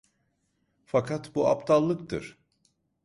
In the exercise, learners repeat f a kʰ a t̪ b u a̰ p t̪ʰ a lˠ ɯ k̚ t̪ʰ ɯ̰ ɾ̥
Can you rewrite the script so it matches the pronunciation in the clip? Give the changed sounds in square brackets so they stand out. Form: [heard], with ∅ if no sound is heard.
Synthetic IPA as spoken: f a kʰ a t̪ b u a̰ p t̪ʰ a [lˠː] ɯ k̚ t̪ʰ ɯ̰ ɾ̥